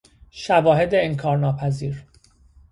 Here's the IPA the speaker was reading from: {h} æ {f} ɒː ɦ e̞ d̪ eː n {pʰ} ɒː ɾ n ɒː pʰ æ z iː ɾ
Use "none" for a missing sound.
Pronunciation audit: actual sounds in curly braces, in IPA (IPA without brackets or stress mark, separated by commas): ʃ, v, kʰ